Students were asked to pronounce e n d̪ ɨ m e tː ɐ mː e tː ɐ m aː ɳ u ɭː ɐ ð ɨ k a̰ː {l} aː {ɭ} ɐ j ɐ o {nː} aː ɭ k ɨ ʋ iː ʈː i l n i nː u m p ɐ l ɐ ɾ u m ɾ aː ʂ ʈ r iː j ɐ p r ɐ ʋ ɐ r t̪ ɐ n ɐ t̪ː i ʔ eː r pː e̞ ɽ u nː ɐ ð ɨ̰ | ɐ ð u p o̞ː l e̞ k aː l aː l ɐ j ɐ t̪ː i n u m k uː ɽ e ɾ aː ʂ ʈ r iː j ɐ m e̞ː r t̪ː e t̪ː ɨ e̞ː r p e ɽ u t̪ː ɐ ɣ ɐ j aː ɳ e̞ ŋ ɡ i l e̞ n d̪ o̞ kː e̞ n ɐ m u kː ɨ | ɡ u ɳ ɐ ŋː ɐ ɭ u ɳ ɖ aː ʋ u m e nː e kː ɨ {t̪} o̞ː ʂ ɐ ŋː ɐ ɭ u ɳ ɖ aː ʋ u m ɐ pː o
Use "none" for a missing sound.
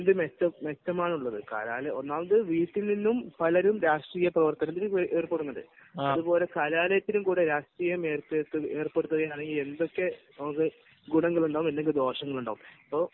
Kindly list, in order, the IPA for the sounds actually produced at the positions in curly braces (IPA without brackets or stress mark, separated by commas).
l, l, nː, d̪